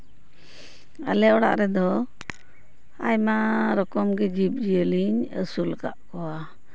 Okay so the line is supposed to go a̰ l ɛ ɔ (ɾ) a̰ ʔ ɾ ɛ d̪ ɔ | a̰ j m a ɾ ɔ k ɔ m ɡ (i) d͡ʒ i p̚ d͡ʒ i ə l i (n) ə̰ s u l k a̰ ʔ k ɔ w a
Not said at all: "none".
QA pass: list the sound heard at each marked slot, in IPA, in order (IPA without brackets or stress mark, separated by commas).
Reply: ɽ, ɛ, ɲ